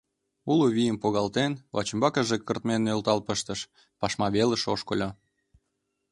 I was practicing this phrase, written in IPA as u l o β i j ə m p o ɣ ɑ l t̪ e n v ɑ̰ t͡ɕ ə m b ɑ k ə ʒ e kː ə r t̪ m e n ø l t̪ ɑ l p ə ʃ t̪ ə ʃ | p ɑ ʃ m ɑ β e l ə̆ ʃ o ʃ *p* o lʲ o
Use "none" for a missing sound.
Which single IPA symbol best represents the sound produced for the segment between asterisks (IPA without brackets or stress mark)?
k